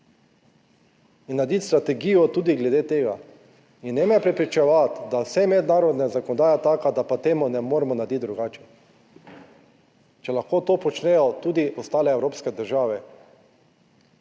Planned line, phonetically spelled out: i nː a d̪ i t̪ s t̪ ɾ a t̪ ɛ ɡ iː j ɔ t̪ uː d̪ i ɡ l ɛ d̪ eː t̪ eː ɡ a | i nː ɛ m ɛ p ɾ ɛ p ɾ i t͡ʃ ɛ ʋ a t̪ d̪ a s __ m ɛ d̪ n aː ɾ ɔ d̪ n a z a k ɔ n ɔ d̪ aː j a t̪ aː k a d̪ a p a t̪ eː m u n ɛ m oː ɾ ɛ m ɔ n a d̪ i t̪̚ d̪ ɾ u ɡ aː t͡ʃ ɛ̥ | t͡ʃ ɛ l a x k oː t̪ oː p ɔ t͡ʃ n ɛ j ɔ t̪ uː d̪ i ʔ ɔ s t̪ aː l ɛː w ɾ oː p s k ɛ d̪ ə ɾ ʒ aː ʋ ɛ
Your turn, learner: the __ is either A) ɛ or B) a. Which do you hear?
A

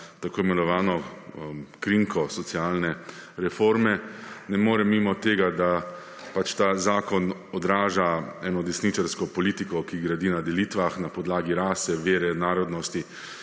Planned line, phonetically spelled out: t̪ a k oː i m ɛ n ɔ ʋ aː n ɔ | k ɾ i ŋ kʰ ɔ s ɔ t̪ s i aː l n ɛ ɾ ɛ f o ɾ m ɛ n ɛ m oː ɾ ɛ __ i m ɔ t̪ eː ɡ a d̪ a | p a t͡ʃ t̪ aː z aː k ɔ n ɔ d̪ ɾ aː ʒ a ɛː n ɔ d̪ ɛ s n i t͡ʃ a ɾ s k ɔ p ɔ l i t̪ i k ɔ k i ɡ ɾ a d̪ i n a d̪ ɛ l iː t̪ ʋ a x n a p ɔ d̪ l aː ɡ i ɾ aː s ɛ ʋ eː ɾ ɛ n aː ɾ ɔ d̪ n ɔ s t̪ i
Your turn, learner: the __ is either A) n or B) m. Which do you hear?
B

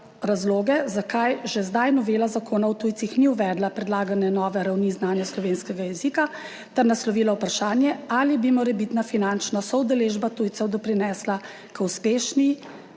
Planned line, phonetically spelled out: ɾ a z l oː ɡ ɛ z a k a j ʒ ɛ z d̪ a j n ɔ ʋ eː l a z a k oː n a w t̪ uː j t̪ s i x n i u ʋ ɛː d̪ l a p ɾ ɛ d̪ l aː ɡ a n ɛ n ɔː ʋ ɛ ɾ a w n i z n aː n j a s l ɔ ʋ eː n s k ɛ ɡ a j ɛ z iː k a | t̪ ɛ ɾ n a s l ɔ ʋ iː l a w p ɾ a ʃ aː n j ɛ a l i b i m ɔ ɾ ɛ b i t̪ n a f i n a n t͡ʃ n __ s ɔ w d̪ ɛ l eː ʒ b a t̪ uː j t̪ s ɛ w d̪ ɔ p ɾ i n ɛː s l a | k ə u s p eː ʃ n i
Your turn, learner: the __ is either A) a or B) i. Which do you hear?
A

